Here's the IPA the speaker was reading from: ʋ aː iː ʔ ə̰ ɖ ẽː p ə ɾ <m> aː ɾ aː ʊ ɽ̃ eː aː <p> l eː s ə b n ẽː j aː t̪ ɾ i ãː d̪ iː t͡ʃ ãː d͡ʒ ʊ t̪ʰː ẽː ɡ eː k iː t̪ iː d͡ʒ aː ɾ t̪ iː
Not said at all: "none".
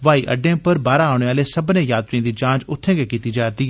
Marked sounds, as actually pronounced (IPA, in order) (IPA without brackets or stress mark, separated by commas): b, none